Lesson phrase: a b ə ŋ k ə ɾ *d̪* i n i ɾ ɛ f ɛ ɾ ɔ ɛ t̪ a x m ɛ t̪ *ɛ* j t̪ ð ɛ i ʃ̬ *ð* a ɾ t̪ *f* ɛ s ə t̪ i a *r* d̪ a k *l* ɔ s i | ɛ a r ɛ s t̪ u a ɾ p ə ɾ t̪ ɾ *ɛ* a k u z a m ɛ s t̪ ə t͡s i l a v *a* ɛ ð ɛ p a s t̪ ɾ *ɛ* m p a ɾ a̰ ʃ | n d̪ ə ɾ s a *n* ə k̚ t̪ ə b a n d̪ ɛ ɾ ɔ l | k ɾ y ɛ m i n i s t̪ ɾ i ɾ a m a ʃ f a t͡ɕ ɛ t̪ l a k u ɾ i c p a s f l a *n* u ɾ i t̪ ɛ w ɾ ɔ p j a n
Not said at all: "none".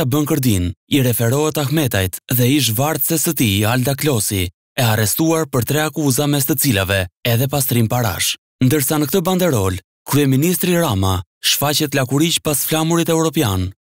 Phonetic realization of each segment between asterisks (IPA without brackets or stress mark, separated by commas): d̪, a, v, s, l, l, ɛ, ɛ, i, n, m